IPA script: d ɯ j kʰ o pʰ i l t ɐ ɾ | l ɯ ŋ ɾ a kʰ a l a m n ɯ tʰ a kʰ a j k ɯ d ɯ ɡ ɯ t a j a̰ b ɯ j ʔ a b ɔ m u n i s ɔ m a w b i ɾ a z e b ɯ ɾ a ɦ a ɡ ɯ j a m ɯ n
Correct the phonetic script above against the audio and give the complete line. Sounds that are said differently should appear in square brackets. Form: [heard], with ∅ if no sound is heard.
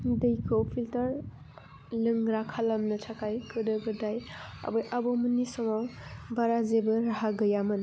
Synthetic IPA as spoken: d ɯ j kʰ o pʰ i l t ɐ ɾ | l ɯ ŋ ɾ a kʰ a l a m n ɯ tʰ a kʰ a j k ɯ d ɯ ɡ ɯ [d] a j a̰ b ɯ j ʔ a b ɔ m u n i s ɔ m a w b [a] ɾ a z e b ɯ ɾ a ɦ a ɡ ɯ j a m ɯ n